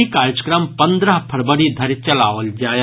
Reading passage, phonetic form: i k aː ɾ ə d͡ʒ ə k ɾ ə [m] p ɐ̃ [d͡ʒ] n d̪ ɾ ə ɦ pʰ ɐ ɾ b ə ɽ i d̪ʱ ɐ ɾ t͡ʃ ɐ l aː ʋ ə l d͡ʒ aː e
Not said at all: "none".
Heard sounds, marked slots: m, none

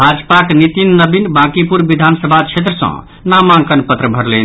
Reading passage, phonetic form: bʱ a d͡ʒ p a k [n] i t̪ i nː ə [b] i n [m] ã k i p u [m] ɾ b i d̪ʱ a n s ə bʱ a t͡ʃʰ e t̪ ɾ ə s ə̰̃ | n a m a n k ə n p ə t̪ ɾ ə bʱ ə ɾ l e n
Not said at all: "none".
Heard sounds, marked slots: n, b, b, none

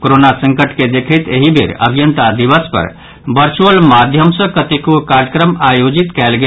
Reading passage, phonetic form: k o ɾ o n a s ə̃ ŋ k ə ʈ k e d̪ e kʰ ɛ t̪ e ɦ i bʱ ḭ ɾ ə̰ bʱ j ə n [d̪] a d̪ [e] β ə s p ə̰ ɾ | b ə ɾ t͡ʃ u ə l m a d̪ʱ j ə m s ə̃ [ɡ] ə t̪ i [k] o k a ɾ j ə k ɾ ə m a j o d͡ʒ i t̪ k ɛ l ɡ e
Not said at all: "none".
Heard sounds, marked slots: t̪, i, k, k

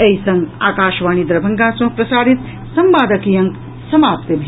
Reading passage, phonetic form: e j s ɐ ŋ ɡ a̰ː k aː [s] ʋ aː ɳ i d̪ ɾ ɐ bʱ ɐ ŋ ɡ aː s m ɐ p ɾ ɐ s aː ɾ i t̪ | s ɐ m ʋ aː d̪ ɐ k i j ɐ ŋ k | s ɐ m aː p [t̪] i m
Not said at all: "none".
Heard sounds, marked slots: ʃ, t̪

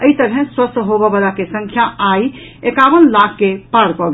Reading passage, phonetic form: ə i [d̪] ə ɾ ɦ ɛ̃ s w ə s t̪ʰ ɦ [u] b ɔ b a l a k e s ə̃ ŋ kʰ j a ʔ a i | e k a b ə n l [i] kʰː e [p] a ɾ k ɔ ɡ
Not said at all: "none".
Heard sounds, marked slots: t̪, o, a, p

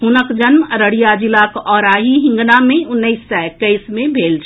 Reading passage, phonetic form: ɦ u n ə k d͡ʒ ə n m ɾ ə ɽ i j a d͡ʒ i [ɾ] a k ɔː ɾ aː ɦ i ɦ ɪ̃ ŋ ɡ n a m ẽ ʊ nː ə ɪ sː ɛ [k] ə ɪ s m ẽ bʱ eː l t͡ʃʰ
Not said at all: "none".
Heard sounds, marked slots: l, k

